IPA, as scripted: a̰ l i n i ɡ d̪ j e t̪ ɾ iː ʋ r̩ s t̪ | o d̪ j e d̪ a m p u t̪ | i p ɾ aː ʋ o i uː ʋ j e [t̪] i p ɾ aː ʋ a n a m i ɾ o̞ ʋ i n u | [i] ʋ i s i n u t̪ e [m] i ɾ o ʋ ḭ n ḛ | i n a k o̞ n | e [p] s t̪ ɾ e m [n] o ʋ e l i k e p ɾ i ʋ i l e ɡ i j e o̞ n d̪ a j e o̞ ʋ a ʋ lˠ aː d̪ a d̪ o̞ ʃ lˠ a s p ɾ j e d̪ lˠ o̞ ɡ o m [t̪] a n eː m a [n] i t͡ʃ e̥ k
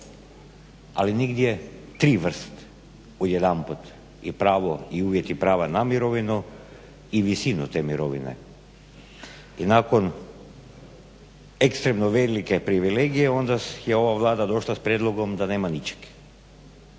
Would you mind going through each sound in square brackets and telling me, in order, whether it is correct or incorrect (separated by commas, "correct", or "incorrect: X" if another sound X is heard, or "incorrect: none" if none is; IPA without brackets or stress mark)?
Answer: correct, correct, correct, incorrect: k, correct, incorrect: d̪, correct